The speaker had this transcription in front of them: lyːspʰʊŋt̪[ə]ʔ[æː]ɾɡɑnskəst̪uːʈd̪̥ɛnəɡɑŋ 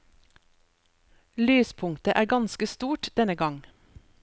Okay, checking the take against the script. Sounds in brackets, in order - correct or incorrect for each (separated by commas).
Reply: correct, correct